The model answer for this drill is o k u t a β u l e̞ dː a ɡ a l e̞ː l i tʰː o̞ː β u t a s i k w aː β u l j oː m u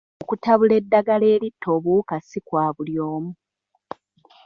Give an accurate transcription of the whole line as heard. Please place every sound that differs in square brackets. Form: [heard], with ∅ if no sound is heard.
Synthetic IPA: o k u t a β u l e̞ dː a ɡ a l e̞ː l i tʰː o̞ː β u [k] a s i k w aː β u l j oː m u